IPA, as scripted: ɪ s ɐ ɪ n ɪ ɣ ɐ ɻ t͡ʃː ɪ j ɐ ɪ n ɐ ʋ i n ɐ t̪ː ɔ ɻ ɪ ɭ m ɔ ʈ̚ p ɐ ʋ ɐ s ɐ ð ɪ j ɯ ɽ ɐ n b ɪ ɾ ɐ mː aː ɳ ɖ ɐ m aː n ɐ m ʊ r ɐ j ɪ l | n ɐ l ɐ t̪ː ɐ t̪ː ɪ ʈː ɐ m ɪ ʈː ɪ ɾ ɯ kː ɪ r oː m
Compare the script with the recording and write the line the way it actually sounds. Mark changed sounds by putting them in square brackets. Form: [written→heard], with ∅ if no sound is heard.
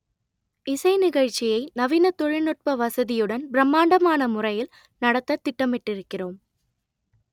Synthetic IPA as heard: ɪ s ɐ ɪ n ɪ ɣ ɐ ɻ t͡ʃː ɪ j ɐ ɪ n ɐ ʋ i n ɐ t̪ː ɔ ɻ ɪ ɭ [m→n] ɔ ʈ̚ p ɐ ʋ ɐ s ɐ ð ɪ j ɯ ɽ ɐ n b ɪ ɾ ɐ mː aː ɳ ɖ ɐ m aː n ɐ m ʊ r ɐ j ɪ l | n ɐ [l→ɽ] ɐ t̪ː ɐ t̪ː ɪ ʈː ɐ m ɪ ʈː ɪ ɾ ɯ kː ɪ r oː m